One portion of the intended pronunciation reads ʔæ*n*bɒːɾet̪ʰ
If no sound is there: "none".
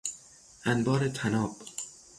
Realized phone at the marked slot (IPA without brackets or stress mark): n